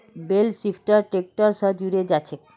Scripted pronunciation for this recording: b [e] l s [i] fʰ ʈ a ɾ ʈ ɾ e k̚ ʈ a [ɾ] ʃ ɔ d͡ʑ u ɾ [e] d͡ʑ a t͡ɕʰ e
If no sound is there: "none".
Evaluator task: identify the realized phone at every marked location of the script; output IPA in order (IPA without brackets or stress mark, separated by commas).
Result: e, i, ɾ, e